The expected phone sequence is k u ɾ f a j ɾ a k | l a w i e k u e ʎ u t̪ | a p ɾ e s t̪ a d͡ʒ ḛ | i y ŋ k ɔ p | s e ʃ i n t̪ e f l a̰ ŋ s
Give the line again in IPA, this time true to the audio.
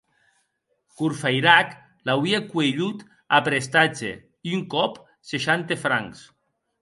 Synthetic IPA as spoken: k u ɾ f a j ɾ a k | l a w i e k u e ʎ u t̪ | a p ɾ e s t̪ a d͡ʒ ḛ | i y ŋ k ɔ p | s e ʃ a n t̪ e f ɾ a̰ ŋ s